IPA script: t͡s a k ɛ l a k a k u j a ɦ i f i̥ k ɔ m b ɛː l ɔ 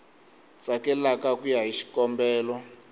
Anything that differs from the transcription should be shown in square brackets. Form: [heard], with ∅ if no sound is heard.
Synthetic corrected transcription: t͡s a k ɛ l a k a k u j a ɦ i [ʃ] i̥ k ɔ m b ɛː l ɔ